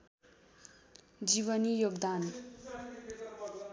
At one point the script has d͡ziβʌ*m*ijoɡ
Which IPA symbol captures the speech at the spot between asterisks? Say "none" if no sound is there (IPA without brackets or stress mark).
n